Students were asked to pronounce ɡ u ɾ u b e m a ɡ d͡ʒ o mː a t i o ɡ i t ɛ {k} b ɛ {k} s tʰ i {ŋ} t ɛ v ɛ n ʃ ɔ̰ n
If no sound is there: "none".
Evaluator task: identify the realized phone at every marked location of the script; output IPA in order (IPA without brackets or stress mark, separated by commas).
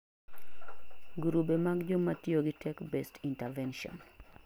k, none, n